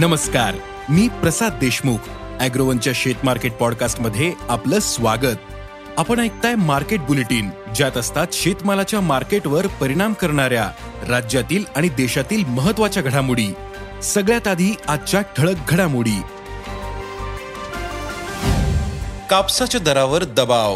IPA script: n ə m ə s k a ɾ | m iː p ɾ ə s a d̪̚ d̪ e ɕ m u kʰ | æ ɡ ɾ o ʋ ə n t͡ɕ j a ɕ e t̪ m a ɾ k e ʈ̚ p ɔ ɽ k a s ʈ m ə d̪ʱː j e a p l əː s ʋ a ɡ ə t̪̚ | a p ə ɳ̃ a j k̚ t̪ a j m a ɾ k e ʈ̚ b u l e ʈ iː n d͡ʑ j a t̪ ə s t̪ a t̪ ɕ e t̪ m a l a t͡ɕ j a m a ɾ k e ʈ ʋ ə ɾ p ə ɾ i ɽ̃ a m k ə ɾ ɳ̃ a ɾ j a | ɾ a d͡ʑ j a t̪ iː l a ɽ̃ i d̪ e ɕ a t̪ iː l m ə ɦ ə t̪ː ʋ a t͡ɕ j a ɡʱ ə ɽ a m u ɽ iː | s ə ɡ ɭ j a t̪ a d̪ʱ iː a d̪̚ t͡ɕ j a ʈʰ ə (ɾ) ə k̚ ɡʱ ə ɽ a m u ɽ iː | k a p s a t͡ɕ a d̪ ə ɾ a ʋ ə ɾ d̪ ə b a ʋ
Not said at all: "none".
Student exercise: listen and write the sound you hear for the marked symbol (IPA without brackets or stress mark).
ɭ